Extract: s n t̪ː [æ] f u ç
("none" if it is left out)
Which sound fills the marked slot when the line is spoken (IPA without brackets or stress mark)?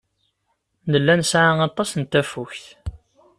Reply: æ